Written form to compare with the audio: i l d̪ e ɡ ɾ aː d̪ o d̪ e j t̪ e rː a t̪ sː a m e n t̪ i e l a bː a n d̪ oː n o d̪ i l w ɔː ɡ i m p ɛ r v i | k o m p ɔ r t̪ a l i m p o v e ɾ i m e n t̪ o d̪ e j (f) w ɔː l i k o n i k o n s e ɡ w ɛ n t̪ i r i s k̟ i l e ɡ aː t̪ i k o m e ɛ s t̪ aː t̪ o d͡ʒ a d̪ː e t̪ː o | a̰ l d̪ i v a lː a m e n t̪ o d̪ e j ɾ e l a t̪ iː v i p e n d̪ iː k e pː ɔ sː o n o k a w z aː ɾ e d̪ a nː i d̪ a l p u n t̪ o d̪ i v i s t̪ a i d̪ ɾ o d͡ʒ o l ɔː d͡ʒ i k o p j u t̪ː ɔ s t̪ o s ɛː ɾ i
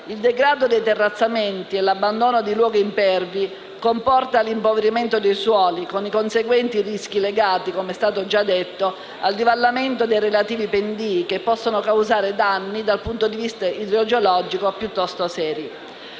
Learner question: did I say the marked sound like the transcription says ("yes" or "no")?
no